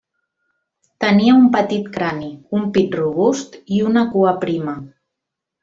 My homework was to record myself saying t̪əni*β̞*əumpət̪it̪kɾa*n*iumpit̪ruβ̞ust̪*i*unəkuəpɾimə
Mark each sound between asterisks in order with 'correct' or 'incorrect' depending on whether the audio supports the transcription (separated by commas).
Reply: incorrect, correct, correct